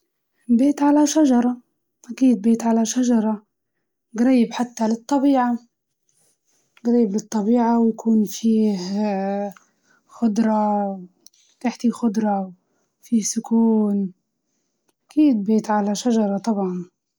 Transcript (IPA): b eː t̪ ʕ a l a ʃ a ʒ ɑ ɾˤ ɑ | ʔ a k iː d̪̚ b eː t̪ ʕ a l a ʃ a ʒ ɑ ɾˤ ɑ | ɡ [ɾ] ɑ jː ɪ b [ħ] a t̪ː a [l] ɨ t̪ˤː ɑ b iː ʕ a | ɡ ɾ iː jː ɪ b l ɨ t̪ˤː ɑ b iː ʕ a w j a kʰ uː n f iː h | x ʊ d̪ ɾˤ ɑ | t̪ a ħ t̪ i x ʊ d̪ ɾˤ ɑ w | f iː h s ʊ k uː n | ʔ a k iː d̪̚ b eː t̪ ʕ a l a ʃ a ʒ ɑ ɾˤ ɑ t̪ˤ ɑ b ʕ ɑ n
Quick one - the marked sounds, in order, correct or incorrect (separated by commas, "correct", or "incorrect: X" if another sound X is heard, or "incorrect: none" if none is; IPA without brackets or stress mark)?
correct, correct, correct